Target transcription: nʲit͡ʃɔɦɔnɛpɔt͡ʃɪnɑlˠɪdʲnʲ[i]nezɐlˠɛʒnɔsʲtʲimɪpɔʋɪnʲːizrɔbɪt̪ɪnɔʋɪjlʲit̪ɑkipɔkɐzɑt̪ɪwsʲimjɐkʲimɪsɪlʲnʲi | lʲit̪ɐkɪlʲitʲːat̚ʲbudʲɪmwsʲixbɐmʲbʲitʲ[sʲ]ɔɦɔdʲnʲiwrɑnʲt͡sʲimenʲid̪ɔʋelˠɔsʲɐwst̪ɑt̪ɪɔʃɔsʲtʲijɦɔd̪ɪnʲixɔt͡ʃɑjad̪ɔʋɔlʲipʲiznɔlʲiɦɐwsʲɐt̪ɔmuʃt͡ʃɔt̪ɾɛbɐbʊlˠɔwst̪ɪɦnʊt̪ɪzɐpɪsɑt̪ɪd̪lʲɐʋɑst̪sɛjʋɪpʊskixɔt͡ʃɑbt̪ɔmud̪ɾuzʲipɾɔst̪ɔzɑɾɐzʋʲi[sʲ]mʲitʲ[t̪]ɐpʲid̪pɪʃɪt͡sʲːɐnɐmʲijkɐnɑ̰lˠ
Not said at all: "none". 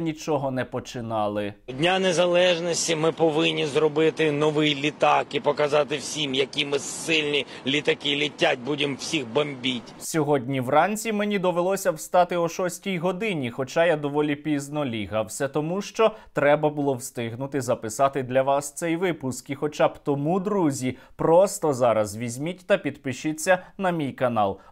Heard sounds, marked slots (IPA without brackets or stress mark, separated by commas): a, sʲ, zʲ, t̪